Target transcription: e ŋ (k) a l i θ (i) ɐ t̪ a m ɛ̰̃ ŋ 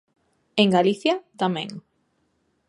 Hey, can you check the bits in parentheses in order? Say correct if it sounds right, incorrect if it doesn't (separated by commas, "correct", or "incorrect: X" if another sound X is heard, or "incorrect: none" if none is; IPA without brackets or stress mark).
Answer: incorrect: ɡ, incorrect: j